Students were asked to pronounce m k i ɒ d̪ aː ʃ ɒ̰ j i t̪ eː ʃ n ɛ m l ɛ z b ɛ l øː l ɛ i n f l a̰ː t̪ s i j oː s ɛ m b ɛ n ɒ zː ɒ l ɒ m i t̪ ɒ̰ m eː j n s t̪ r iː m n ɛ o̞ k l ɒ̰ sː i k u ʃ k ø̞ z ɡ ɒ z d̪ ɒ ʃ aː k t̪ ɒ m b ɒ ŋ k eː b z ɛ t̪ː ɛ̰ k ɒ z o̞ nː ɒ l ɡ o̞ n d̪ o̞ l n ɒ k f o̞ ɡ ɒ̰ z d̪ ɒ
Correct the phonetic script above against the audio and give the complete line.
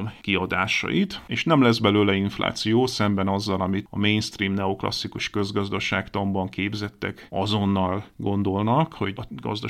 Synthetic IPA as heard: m k i ɒ d̪ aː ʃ ɒ̰ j i t̪ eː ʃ n ɛ m l ɛ z b ɛ l øː l ɛ i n f l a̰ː t̪ s i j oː s ɛ m b ɛ n ɒ zː ɒ l ɒ m i t̪ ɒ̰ m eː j n s t̪ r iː m n ɛ o̞ k l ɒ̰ sː i k u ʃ k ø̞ z ɡ ɒ z d̪ ɒ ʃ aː k t̪ ɒ m b ɒ ŋ k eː b z ɛ t̪ː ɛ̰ k ɒ z o̞ nː ɒ l ɡ o̞ n d̪ o̞ l n ɒ k h o̞ ɡ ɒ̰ z d̪ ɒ